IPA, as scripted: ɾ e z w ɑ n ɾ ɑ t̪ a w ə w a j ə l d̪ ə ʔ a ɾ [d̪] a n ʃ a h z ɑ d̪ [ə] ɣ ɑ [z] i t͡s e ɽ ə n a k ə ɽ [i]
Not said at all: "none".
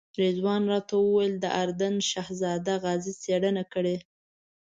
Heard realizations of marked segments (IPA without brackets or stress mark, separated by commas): d̪, a, z, e